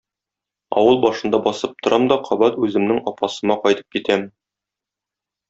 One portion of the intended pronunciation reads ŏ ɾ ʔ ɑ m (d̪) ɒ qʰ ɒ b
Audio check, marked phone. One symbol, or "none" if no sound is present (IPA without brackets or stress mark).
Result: d̪